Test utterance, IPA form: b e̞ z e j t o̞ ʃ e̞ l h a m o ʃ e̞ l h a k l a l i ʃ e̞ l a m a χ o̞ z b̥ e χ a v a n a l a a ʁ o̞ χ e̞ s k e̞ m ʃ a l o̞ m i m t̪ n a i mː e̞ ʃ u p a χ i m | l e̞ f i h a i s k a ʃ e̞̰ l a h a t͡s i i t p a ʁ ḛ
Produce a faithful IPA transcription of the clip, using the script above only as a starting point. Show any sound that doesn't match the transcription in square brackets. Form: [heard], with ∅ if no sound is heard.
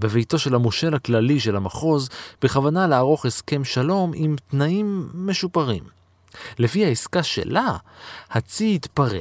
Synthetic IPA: b e̞ [v] e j t o̞ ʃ e̞ l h a m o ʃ e̞ l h a k l a l i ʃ e̞ l a m a χ o̞ z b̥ e χ a v a n a l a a ʁ o̞ χ e̞ s k e̞ m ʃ a l o̞ m i m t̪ n a i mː e̞ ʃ u p a [ʁ] i m | l e̞ f i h a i s k a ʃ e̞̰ l a h a t͡s i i t p a ʁ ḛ